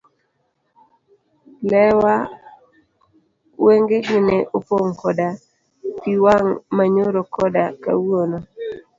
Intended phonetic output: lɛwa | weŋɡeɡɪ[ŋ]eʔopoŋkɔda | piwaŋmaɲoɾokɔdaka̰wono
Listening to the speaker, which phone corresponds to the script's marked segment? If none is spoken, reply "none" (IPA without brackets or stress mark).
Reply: n